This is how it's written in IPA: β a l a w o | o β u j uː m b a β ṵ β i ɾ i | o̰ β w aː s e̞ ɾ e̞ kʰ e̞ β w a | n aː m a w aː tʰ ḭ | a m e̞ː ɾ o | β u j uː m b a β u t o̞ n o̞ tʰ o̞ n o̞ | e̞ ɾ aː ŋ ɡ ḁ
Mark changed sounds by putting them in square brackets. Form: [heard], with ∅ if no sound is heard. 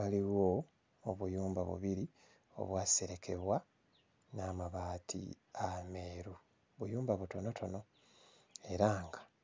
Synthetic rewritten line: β a l [i] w o | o β u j uː m b a β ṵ β i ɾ i | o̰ β w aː s e̞ ɾ e̞ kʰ e̞ β w a | n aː m a [β] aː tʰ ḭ | a m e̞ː ɾ [u] | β u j uː m b a β u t o̞ n o̞ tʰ o̞ n o̞ | e̞ ɾ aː ŋ ɡ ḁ